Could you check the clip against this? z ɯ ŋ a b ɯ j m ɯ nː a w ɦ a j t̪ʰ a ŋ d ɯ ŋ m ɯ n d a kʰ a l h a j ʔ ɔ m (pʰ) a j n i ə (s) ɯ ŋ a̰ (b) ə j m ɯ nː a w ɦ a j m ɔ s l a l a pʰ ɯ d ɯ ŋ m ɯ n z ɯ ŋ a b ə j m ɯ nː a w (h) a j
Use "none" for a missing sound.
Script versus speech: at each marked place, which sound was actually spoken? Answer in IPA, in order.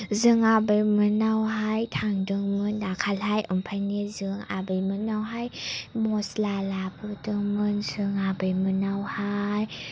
pʰ, z, b, h

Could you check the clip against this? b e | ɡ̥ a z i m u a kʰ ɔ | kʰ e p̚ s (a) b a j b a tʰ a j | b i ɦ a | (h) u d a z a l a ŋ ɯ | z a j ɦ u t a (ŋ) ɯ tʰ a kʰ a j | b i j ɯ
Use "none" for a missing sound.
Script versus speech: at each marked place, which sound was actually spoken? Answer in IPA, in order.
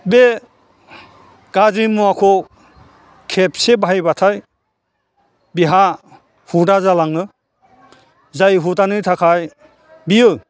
e, h, n

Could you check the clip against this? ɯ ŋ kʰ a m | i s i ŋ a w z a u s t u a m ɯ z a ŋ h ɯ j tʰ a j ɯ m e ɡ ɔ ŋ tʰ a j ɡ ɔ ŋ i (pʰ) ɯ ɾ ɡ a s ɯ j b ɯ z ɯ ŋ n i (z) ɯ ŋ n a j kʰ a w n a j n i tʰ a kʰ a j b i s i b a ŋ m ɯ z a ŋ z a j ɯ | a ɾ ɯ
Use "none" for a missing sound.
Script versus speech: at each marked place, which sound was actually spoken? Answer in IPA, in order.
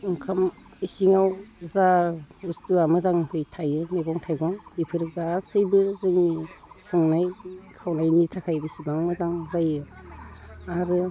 pʰ, s

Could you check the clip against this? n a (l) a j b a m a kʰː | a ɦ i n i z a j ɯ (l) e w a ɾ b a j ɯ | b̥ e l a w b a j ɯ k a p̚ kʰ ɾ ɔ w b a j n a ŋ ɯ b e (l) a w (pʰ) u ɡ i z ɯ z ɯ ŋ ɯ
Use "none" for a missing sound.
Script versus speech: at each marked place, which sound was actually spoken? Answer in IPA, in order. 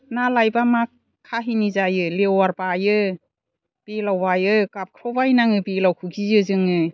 l, l, l, kʰ

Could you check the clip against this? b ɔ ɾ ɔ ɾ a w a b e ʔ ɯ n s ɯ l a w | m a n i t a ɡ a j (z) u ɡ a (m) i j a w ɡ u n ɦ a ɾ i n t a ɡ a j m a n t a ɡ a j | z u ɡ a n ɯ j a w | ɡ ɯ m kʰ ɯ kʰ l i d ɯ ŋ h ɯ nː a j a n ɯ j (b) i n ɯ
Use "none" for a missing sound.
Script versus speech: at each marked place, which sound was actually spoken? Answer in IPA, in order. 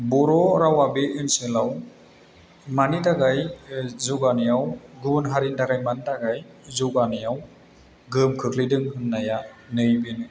z, n, b

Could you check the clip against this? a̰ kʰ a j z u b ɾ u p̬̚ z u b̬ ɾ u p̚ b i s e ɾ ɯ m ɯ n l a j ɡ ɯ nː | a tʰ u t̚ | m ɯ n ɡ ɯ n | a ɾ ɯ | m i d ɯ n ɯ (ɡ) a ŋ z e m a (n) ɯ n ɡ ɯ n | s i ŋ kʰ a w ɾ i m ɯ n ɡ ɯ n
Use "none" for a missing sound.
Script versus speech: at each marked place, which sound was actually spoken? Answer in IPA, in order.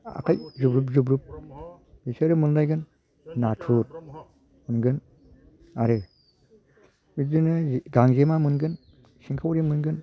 ɡ, m

